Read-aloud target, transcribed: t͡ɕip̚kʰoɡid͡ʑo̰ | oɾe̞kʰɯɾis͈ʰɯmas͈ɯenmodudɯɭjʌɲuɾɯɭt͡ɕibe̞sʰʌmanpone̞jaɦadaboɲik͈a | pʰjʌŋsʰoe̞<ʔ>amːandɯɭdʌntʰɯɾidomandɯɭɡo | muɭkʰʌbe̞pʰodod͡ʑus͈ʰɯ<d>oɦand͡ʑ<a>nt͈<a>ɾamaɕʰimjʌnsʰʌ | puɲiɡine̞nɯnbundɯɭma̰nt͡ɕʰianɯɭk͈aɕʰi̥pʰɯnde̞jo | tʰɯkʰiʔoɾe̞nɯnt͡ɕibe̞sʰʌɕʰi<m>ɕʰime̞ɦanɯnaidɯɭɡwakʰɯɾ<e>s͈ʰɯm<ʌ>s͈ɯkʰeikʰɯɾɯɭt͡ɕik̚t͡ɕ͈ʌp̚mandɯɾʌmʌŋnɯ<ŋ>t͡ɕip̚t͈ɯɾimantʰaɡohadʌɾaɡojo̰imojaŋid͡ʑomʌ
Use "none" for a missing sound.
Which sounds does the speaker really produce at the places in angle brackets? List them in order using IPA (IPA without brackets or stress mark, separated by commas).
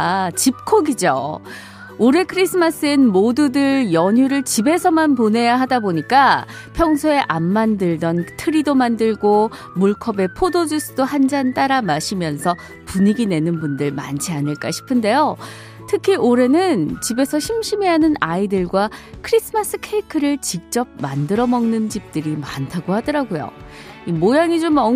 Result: ʔ, d, a, a, m, i, a, n